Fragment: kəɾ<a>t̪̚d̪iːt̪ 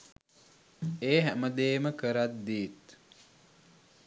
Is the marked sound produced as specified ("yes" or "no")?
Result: yes